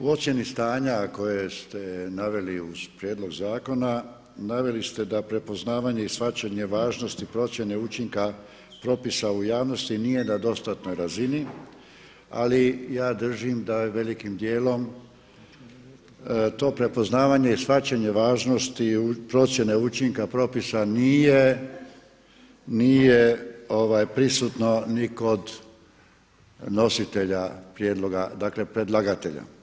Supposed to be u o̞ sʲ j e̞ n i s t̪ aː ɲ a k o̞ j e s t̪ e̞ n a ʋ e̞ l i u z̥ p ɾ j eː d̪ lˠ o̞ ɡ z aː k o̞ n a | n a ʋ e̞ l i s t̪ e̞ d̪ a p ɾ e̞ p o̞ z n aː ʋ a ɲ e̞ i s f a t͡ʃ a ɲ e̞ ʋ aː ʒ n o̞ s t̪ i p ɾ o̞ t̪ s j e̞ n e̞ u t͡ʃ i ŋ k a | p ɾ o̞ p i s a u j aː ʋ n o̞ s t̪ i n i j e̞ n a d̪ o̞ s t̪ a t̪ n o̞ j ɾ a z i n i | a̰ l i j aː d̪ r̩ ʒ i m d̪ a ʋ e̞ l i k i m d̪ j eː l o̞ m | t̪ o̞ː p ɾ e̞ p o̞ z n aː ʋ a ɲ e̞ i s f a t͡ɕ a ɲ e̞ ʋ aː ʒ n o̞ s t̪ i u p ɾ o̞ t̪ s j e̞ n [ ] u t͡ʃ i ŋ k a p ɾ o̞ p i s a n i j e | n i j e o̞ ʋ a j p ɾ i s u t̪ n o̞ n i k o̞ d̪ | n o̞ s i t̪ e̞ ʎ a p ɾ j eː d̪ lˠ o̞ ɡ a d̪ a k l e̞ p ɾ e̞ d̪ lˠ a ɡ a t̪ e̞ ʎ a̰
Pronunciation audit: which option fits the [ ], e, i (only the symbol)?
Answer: e